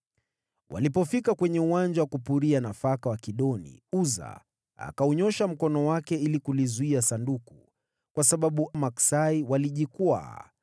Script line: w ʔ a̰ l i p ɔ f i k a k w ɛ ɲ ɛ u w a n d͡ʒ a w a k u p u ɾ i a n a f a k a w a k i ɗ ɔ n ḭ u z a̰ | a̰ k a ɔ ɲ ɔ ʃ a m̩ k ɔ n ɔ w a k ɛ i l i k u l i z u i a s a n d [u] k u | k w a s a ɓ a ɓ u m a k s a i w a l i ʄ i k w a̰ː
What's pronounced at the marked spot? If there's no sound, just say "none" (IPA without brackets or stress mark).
u